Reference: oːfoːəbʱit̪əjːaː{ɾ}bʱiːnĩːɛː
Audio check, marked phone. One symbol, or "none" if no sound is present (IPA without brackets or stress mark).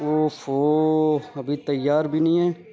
ɾ